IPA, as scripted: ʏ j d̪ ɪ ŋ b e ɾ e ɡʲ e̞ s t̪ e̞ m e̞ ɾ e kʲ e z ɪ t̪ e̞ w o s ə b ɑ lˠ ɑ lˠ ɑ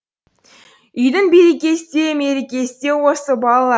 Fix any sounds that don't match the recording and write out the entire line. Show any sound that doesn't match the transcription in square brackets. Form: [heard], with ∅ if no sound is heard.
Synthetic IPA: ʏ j d̪ ɪ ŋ b e ɾ e [kʲ] e̞ s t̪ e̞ m e̞ ɾ e kʲ e [s] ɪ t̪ e̞ w o s ə b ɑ lˠ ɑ lˠ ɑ